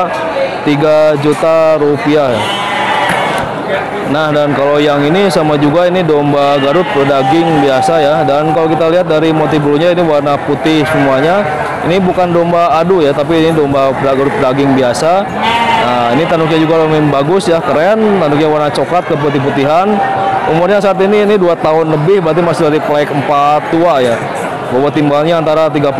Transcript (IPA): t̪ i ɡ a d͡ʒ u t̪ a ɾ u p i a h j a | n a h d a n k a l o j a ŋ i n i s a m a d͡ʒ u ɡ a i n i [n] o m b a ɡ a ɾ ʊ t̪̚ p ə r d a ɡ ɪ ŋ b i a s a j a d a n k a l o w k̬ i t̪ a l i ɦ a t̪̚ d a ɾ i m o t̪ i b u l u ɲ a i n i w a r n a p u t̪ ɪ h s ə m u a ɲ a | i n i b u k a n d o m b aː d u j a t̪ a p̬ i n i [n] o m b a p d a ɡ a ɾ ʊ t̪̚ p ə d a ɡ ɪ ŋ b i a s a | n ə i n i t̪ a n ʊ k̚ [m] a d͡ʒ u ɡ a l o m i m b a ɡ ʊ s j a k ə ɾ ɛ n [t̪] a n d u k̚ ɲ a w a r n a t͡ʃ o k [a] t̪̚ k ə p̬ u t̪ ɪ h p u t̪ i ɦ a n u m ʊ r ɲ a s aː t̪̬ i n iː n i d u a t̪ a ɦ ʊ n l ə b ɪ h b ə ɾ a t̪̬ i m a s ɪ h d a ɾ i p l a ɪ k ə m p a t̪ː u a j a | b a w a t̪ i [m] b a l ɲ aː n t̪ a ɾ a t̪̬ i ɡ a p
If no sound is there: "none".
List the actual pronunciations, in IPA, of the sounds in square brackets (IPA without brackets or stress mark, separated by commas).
d, d, ɲ, t̪, a, m